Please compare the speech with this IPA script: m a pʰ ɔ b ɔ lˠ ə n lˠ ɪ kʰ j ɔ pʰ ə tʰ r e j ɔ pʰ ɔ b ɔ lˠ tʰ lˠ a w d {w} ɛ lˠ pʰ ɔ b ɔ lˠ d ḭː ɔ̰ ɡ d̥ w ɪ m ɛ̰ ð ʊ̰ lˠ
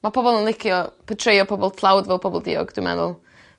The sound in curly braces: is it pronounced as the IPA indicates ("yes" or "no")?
no